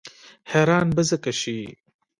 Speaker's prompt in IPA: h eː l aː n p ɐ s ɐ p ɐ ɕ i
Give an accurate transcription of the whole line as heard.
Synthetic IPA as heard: h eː ɾ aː n b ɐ z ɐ k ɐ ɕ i